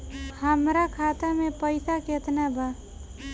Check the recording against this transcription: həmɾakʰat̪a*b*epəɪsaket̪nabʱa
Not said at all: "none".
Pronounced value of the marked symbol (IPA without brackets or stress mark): m